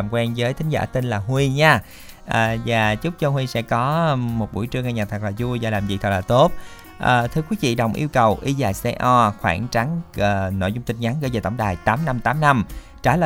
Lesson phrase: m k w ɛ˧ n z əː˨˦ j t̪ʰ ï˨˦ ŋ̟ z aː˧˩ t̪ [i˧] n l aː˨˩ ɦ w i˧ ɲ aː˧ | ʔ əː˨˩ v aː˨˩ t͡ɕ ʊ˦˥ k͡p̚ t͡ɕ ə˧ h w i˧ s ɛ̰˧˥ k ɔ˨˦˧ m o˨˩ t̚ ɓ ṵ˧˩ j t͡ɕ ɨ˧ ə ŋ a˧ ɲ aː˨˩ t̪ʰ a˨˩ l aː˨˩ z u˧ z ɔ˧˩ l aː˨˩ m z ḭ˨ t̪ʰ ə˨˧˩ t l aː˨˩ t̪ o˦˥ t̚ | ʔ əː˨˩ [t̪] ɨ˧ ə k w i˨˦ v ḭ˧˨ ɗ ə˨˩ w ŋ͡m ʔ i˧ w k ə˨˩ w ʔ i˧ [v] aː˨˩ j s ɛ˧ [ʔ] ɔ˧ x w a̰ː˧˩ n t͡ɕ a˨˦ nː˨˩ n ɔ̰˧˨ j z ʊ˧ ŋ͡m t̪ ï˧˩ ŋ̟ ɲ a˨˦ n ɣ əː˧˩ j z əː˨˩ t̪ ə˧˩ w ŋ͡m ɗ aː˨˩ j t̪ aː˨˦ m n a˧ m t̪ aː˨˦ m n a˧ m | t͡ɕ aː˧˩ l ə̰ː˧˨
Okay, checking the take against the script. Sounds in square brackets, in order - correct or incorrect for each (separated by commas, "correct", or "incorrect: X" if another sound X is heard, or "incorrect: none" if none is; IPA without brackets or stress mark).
correct, incorrect: t̪ʰ, incorrect: z, correct